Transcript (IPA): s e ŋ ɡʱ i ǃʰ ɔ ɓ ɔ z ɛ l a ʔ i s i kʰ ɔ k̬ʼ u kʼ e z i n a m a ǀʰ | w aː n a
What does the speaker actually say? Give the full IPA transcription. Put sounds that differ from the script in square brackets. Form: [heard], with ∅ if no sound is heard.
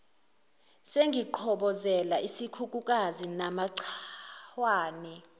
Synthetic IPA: s e ŋ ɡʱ i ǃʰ ɔ ɓ ɔ z ɛ l a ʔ i s i kʰ [u] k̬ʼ u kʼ [a] z i n a m a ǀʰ | w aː n [ɛ]